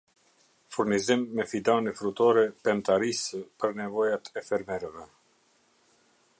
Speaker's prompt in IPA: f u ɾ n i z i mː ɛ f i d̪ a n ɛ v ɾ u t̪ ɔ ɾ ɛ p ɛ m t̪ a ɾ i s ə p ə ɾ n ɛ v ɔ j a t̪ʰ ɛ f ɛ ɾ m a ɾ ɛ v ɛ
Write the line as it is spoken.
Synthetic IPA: f u ɾ n i z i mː ɛ f i d̪ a n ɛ f ɾ u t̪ ɔ ɾ ɛ p ɛ m t̪ a ɾ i s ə p ə ɾ n ɛ v ɔ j a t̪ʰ ɛ f ɛ ɾ m ɛ ɾ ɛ v ɛ